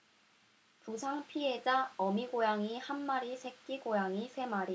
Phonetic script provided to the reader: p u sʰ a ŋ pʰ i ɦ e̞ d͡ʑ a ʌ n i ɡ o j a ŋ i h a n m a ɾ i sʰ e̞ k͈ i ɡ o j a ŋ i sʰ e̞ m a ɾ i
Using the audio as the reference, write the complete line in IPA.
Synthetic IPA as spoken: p u sʰ a ŋ pʰ i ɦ e̞ d͡ʑ a ʌ m i ɡ o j a ŋ i h a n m a ɾ i sʰ e̞ k͈ i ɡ o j a ŋ i sʰ e̞ m a ɾ i

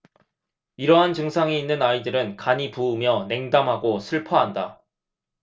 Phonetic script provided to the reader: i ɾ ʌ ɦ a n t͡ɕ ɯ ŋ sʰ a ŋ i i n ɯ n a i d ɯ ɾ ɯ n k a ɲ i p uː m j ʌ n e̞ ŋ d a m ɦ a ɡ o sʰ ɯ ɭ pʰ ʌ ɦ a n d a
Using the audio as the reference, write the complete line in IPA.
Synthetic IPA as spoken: i ɾ ʌ ɦ a n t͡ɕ ɯ ŋ sʰ a ŋ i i nː ɯ n a i d ɯ ɾ ɯ n k a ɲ i p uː m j ʌ n e̞ ŋ d a m ɦ a ɡ o sʰ ɯ ɭ pʰ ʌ ɦ a n d a

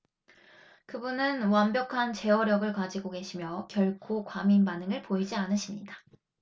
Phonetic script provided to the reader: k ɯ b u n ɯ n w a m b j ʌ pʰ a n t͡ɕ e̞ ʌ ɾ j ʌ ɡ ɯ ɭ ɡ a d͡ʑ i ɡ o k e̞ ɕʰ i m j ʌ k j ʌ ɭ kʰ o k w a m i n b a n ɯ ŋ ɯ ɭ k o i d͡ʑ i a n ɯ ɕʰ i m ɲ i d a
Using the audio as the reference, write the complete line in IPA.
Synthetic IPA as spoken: k ɯ b u n ɯ n w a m b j ʌ kʰ a n t͡ɕ e̞ ʌ ɾ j ʌ ɡ ɯ ɭ k a d͡ʑ i ɡ o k e̞ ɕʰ i m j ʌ k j ʌ ɭ kʰ o k w a m i n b a n ɯ ŋ ɯ ɭ p o i d͡ʑ i a n ɯ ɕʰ i m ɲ i d a

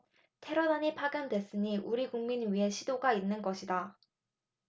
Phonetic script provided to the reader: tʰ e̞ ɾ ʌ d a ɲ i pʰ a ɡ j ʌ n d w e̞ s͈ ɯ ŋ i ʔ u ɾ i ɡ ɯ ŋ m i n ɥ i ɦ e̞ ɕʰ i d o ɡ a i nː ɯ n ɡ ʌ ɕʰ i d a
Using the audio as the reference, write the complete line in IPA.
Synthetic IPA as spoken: tʰ e̞ ɾ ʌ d a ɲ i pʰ a ɡ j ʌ n d w e̞ s͈ ɯ ɲ i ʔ u ɾ i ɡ u ŋ m i n ɥ i ɦ e̞ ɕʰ i d o ɡ a i nː ɯ n ɡ ʌ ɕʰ i d a

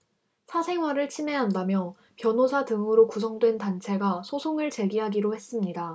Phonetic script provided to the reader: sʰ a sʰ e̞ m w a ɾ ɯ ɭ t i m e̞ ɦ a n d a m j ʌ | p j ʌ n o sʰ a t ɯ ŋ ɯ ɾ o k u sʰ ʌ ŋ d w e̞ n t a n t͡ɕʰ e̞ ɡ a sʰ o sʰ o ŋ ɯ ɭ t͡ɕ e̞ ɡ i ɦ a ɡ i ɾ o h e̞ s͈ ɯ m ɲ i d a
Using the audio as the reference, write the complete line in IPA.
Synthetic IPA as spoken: sʰ a sʰ e̞ ŋ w a ɾ ɯ ɭ t͡ɕʰ i m e̞ ɦ a n d a m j ʌ | p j ʌ n o sʰ a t ɯ ŋ ɯ ɾ o k u sʰ ʌ ŋ d w e̞ n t a n t͡ɕʰ e̞ ɡ a sʰ o sʰ o ŋ ɯ ɭ t͡ɕ e̞ ɡ i ɦ a ɡ i ɾ o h e̞ s͈ ɯ m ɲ i d a

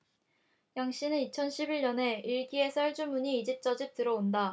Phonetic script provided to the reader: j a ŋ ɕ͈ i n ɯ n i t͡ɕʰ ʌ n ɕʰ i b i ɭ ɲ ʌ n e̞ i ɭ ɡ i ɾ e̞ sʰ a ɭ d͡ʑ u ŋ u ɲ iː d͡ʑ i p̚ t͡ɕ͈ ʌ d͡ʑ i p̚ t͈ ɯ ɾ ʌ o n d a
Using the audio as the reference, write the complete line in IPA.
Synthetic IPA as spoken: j a ŋ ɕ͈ i n ɯ n i t͡ɕʰ ʌ n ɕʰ i b i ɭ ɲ ʌ n e̞ i ɭ ɡ i e̞ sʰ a ɭ d͡ʑ u m u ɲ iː d͡ʑ i p̚ t͡ɕ͈ ʌ d͡ʑ i p̚ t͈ ɯ ɾ ʌ o n d a

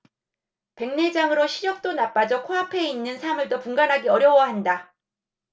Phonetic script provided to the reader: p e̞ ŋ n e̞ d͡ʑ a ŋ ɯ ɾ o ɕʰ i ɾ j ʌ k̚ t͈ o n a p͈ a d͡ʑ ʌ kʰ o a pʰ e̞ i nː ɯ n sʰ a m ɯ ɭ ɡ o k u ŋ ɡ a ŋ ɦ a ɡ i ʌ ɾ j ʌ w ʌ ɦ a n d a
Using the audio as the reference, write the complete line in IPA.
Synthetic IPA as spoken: p e̞ ŋ n e̞ d͡ʑ a ŋ ɯ ɾ o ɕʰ i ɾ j ʌ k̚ t͈ o n a p͈ a d͡ʑ ʌ kʰ o a pʰ e̞ i nː ɯ n sʰ a m ɯ ɭ d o p u ŋ ɡ a n ɦ a ɡ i ʌ ɾ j ʌ w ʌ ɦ a n d a

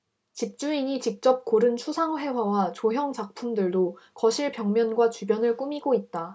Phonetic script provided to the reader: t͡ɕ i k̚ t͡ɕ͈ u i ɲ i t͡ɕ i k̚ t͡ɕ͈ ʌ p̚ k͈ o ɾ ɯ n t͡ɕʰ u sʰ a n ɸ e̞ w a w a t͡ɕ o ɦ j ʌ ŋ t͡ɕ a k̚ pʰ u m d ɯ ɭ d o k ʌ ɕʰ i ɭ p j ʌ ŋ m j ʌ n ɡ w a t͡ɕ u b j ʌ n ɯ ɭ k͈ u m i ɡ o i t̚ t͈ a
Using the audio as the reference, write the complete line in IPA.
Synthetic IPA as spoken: t͡ɕ i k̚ t͡ɕ͈ u i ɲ i t͡ɕ i k̚ t͡ɕ͈ ʌ p̚ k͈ o ɾ ɯ n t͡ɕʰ u sʰ a ŋ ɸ e̞ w a w a t͡ɕ o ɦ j ʌ ŋ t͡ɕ a k̚ pʰ u m d ɯ ɭ d o k ʌ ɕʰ i ɭ p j ʌ ŋ m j ʌ n ɡ w a t͡ɕ u b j ʌ n ɯ ɭ k͈ u m i ɡ o i t̚ t͈ a

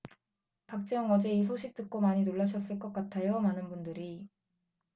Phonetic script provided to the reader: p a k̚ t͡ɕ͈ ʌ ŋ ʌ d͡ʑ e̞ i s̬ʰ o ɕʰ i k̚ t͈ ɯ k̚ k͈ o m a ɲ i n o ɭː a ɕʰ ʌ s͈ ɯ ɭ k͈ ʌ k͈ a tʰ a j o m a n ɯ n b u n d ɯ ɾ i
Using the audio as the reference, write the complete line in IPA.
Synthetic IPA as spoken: p a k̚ t͡ɕ͈ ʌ ŋ ʌ d͡ʑ e̞ i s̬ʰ o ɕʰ i k̚ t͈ ɯ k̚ k͈ o m a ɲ i n o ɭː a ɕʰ ʌ s͈ ɯ ɭ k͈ ʌ k͈ a tʰ a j o m a n ɯ n b u n d ɯ ɾ i

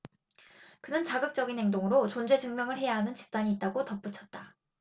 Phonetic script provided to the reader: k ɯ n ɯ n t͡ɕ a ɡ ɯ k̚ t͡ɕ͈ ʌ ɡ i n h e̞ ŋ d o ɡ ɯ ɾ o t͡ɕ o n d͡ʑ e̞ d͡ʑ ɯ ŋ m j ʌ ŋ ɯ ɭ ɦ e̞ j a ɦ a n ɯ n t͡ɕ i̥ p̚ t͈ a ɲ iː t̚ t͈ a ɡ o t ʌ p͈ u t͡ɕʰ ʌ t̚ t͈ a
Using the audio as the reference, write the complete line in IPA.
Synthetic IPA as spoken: k ɯ n ɯ n t͡ɕ a ɡ ɯ k̚ t͡ɕ͈ ʌ ɡ i n h e̞ ŋ d o ŋ ɯ ɾ o t͡ɕ o n d͡ʑ e̞ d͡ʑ ɯ ŋ m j ʌ ŋ ɯ ɭ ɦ e̞ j a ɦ a n ɯ n t͡ɕ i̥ p̚ t͈ a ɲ iː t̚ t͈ a ɡ o t ʌ p͈ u t͡ɕʰ ʌ t̚ t͈ a

